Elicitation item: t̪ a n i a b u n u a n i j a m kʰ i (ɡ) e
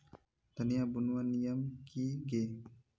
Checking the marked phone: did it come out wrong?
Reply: no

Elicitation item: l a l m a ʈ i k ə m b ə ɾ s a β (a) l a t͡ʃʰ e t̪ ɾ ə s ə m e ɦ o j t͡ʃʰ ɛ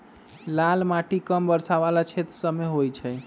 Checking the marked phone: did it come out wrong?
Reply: no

